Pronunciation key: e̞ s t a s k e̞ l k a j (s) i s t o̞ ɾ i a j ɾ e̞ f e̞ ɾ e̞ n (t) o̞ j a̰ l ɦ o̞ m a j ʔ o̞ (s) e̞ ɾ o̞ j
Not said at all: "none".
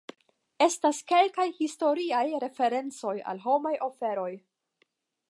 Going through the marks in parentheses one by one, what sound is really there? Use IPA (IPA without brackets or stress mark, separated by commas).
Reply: h, t͡s, f